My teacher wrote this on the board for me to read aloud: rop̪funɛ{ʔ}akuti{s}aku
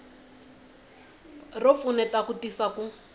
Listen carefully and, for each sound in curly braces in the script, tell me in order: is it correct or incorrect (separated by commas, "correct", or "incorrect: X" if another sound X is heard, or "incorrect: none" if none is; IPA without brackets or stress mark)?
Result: incorrect: t, correct